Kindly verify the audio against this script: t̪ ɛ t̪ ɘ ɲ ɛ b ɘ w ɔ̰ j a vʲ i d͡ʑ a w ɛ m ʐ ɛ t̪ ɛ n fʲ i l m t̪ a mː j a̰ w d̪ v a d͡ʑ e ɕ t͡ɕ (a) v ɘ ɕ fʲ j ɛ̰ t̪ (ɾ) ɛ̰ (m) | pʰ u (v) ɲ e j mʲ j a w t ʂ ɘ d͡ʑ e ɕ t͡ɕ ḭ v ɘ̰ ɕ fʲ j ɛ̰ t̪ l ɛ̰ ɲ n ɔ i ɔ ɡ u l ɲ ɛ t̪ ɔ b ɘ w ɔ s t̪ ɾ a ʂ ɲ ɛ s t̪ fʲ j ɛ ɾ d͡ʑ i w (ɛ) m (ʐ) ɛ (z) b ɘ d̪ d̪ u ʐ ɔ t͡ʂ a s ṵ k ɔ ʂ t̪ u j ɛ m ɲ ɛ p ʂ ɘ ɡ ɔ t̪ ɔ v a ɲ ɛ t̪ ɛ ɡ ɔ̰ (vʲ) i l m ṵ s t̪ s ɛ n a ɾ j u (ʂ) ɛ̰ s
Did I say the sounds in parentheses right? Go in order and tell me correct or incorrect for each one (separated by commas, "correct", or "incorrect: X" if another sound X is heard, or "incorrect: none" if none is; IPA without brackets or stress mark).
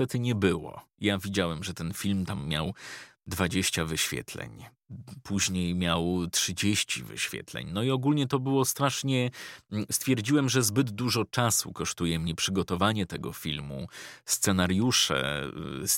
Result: correct, incorrect: l, incorrect: ɲ, incorrect: ʑ, correct, correct, correct, incorrect: fʲ, correct